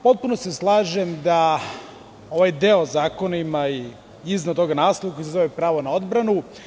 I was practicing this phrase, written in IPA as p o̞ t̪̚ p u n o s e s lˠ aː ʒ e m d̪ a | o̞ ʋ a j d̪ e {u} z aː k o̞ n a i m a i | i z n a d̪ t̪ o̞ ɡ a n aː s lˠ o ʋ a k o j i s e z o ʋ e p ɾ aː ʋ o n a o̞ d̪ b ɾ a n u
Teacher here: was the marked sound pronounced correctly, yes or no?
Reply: no